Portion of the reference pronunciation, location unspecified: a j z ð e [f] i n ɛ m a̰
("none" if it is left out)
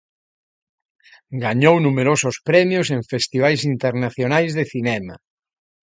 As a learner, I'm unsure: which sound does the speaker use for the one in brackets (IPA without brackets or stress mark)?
θ